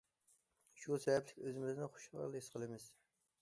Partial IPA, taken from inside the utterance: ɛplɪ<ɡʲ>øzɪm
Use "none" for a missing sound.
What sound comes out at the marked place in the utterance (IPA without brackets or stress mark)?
kʲ